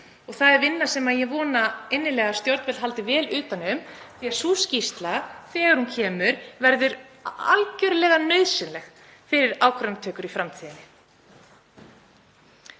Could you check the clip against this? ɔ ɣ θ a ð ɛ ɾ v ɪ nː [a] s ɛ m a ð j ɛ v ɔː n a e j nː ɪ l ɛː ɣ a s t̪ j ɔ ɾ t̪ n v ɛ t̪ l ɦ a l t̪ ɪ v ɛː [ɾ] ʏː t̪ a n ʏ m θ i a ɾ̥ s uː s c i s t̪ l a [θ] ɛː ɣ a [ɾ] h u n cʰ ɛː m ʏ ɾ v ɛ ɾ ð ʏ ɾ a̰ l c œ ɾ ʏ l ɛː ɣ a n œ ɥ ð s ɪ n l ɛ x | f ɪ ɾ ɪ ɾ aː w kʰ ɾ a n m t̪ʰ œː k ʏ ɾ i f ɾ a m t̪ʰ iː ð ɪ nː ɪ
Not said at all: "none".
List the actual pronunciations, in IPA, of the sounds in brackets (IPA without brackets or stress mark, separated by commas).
a, l, θ, ɾ